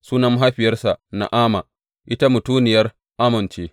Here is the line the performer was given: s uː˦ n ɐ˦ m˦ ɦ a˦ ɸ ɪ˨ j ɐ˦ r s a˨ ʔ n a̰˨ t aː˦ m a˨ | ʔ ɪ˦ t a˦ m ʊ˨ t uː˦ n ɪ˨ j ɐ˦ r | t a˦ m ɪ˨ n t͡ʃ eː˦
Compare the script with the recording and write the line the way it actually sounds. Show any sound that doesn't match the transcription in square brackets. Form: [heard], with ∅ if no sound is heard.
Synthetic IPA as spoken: s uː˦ n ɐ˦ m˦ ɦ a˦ ɸ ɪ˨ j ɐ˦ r s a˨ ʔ n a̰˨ [ʔ] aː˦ m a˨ | ʔ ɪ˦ t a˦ m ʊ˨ t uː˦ n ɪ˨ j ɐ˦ r | [ʔ] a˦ m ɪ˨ n t͡ʃ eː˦